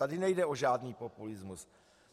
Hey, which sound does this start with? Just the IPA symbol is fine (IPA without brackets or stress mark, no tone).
a